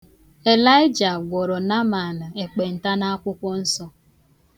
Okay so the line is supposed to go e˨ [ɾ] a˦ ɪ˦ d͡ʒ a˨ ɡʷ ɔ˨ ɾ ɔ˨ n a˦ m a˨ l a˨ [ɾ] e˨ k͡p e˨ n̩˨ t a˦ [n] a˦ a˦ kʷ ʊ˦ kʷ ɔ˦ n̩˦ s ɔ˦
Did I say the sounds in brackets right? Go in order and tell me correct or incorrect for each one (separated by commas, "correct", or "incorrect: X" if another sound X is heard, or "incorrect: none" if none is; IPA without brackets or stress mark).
incorrect: l, incorrect: none, correct